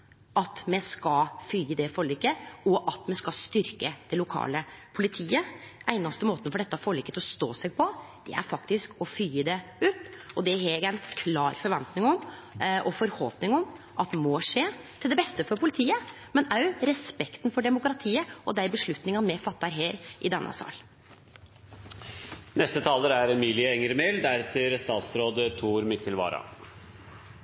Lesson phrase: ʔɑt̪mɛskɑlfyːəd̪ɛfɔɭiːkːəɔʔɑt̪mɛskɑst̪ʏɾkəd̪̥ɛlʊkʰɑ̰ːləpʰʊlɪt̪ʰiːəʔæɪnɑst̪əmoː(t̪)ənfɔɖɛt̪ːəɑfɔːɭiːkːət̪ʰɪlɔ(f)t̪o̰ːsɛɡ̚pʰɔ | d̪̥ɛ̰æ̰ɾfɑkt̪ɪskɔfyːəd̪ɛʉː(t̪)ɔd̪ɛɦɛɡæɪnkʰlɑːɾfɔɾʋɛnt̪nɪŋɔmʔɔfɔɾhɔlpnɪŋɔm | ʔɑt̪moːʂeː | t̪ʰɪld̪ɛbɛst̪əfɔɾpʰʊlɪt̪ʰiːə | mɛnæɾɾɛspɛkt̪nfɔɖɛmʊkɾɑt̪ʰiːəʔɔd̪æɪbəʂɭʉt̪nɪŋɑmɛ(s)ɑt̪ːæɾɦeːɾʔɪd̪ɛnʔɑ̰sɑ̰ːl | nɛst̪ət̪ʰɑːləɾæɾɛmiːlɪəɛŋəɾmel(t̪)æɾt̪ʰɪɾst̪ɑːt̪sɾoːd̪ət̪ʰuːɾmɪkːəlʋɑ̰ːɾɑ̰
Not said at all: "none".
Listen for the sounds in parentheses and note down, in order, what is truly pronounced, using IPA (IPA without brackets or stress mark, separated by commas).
t̪, s, t̪, f, d̪